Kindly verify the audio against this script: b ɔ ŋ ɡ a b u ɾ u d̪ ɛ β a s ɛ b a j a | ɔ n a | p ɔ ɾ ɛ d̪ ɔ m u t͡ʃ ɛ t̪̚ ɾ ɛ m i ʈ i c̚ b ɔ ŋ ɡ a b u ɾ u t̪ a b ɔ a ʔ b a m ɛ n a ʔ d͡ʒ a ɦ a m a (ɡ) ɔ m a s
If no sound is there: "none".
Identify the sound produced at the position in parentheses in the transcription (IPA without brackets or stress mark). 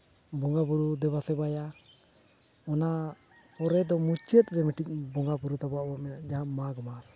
ɡ